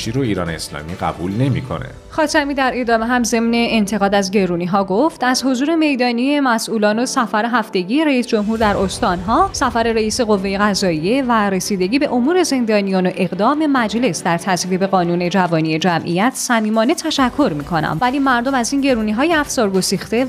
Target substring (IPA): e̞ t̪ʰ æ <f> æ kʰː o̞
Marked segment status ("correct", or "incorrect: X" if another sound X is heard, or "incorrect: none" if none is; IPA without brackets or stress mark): incorrect: ʃ